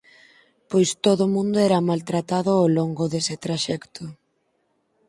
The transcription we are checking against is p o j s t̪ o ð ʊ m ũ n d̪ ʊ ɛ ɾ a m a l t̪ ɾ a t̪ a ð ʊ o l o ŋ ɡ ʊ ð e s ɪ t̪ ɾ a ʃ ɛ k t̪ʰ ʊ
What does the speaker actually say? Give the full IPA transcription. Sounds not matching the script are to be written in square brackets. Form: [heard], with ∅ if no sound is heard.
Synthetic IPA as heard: p o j s t̪ o ð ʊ m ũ n d̪ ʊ ɛ ɾ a m a l t̪ ɾ a t̪ a ð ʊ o l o ŋ ɡ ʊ ð e s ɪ t̪ ɾ a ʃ ɛ k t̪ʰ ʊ